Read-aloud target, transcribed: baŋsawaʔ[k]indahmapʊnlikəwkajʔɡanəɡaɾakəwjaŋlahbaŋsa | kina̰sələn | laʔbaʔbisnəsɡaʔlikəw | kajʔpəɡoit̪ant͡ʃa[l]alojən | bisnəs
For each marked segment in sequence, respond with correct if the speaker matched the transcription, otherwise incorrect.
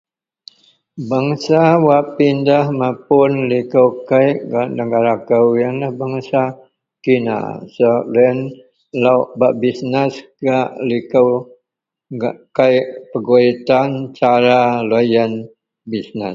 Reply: incorrect, incorrect

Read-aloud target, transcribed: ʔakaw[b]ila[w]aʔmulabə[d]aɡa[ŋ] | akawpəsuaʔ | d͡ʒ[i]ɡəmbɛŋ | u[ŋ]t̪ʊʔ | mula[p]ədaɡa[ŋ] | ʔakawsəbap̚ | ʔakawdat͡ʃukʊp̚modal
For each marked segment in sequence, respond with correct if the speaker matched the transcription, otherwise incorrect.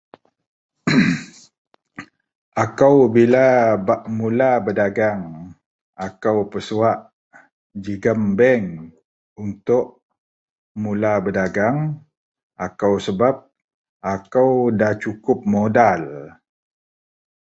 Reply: correct, incorrect, correct, correct, correct, incorrect, incorrect, correct

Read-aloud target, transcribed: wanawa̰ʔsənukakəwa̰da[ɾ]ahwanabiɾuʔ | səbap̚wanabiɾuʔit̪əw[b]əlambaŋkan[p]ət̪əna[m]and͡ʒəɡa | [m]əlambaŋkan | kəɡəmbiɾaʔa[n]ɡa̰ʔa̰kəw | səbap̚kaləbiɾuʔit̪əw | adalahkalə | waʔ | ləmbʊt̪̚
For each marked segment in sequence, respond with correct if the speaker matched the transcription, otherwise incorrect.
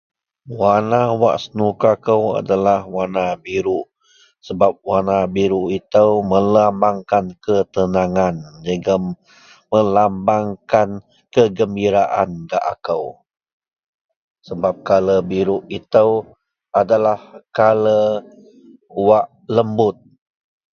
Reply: incorrect, incorrect, incorrect, incorrect, correct, correct

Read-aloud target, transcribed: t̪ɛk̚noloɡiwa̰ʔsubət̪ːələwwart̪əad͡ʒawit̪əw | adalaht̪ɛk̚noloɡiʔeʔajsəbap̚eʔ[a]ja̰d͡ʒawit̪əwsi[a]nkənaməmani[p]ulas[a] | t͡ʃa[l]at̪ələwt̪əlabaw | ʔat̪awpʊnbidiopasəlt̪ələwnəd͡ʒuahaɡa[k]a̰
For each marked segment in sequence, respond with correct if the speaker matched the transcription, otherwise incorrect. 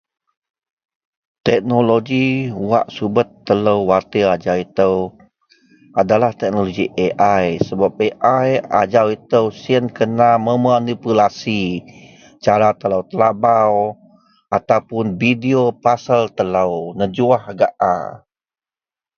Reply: correct, incorrect, correct, incorrect, incorrect, incorrect

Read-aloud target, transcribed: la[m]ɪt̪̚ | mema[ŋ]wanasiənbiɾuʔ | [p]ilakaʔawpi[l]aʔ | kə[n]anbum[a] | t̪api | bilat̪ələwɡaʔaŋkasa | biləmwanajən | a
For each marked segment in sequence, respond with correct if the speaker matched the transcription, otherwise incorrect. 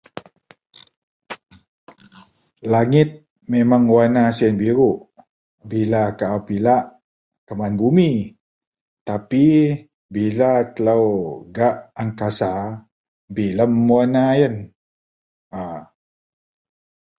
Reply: incorrect, correct, incorrect, correct, incorrect, incorrect

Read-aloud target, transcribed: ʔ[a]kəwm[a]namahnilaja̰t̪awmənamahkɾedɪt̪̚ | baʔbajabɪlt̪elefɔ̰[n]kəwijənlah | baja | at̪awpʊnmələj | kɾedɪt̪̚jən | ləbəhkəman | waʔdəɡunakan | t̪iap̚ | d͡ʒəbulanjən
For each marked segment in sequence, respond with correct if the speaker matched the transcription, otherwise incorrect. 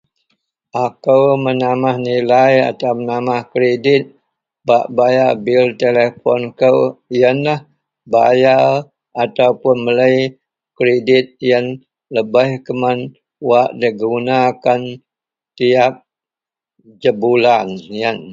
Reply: correct, incorrect, correct

